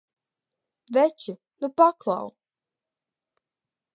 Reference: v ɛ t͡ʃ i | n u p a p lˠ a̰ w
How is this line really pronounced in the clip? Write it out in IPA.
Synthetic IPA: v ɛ t͡ʃ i | n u p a k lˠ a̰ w